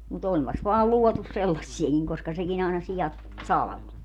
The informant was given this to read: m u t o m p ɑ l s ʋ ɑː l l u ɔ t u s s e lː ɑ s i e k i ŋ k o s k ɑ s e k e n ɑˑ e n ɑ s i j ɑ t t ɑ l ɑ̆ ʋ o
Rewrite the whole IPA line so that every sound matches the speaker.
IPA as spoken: m u t o m p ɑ s ʋ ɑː l l u ɔ t u s s e lː ɑ sː i e k i ŋ k o s k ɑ s e k i n ɑˑ e n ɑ s i j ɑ t s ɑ l ɑ̆ ʋ o